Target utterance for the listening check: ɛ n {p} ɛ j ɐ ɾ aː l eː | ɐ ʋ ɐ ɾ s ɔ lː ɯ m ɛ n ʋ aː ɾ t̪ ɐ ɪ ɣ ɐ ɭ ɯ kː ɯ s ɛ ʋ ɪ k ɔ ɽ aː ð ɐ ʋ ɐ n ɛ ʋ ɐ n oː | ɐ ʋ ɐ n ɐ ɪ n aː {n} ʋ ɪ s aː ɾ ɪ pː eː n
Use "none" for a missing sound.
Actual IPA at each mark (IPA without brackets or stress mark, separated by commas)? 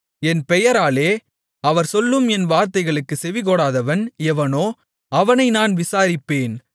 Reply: p, n